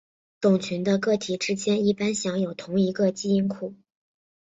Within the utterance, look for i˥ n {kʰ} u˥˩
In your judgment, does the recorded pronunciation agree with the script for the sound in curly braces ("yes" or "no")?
yes